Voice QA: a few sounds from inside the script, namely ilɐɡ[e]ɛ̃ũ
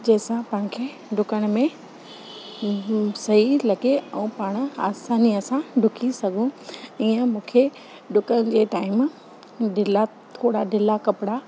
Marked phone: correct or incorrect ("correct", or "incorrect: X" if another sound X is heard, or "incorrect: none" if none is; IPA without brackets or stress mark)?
correct